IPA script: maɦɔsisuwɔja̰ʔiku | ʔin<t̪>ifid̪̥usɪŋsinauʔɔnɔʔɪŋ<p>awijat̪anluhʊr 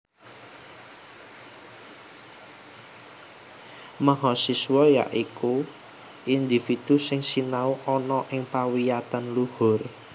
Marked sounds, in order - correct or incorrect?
incorrect: d̪, correct

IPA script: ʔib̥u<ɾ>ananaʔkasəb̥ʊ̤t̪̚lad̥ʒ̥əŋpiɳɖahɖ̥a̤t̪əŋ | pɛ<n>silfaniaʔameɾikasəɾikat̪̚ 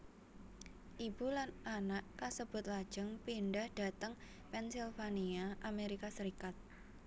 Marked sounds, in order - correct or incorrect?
incorrect: l, correct

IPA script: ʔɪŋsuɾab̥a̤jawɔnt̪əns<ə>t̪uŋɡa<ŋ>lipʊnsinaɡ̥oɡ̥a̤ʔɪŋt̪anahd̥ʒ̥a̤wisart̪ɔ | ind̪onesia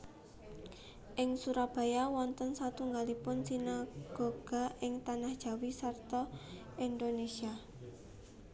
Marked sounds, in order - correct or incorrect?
incorrect: a, incorrect: none

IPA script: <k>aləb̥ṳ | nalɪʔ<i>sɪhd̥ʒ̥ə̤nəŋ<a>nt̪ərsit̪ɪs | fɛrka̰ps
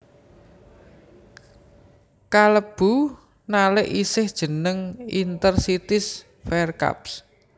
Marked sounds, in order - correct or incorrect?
correct, correct, incorrect: i

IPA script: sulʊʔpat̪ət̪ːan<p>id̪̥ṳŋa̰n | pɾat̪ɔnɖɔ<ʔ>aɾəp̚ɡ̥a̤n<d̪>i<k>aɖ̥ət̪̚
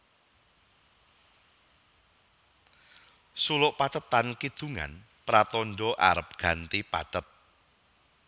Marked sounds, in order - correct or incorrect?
incorrect: k, correct, incorrect: t̪, incorrect: p

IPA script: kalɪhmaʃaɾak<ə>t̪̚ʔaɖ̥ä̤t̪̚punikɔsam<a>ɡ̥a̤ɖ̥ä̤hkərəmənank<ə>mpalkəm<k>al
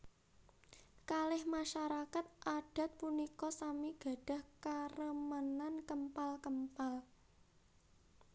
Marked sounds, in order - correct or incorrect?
incorrect: a, incorrect: i, correct, incorrect: p

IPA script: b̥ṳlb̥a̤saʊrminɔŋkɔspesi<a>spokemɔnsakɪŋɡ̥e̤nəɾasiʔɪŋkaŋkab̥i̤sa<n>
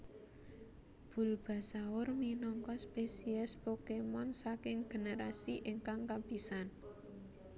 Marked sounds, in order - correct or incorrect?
incorrect: ɛ, correct

